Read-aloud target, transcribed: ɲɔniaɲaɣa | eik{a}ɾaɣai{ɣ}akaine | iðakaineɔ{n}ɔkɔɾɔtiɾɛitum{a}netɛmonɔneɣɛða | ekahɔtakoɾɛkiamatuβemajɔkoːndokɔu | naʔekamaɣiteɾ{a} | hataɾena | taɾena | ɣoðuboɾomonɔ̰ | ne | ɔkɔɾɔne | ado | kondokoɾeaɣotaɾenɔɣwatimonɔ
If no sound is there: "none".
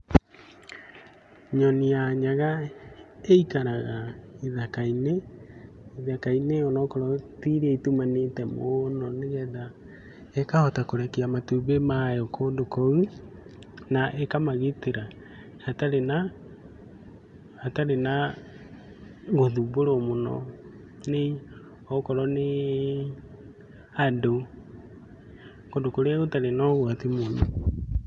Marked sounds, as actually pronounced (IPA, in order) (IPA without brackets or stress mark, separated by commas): a, ð, n, a, a